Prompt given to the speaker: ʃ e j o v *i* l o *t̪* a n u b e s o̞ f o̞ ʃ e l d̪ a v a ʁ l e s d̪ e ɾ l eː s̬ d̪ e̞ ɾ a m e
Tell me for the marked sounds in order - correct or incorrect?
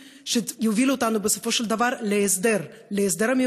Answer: correct, correct

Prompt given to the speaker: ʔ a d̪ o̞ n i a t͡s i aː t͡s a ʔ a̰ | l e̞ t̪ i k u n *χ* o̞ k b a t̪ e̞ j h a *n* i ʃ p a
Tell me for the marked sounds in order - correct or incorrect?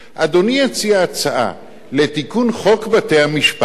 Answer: correct, incorrect: m

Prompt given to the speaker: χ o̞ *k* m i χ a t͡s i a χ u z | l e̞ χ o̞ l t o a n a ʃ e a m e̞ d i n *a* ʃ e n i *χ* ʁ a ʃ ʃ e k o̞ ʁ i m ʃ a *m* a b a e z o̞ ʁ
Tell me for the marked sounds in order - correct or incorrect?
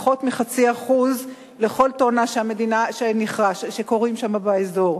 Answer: incorrect: t, correct, correct, correct

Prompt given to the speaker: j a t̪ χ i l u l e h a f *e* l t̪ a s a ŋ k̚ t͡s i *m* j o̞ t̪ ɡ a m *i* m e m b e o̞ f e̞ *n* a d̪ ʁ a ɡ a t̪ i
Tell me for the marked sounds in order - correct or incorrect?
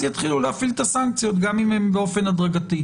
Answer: incorrect: i, incorrect: none, correct, correct

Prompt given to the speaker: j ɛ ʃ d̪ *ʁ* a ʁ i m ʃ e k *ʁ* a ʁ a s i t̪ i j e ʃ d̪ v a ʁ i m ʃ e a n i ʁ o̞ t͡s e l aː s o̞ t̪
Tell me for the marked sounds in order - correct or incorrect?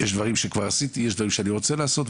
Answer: incorrect: v, incorrect: v

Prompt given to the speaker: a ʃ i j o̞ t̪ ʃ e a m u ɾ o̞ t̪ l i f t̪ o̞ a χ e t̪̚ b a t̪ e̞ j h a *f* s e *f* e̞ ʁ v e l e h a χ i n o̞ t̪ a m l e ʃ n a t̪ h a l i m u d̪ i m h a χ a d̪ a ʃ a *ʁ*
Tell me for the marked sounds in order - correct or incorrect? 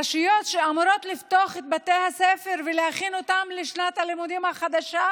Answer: correct, correct, incorrect: none

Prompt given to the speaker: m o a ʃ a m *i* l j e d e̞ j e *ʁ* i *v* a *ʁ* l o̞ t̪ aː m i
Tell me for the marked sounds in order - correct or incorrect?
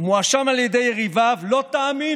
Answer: incorrect: a, correct, correct, incorrect: v

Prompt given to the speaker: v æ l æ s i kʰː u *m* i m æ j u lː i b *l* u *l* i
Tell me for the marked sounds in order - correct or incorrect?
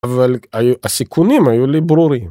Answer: incorrect: n, incorrect: ɾ, incorrect: ɾ

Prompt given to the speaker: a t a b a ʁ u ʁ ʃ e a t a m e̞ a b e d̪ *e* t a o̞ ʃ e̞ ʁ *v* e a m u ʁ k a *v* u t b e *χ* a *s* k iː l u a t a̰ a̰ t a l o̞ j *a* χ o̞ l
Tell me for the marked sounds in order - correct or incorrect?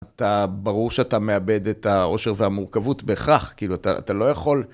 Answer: correct, correct, correct, correct, incorrect: χ, correct

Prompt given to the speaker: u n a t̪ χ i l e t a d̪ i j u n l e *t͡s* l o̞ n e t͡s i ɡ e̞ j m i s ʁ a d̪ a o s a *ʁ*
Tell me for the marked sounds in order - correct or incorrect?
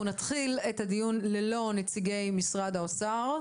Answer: incorrect: none, correct

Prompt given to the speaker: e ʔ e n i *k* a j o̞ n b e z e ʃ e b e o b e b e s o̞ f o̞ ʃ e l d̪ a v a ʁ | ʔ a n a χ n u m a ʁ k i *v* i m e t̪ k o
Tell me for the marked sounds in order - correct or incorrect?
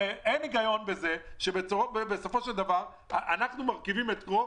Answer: incorrect: ɡ, correct

